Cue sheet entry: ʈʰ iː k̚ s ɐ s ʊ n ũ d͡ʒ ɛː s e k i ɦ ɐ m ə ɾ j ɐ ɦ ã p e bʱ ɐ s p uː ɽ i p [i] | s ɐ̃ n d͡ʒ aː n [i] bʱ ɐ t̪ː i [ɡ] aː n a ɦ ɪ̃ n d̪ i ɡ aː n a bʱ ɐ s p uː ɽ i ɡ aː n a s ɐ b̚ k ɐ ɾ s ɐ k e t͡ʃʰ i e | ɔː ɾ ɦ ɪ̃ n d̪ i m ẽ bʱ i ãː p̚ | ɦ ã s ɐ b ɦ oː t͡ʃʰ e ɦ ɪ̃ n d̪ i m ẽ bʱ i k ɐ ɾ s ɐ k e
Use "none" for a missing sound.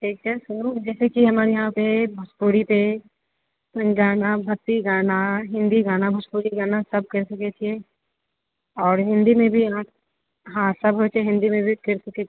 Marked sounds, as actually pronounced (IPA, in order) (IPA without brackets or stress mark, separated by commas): e, a, ɡ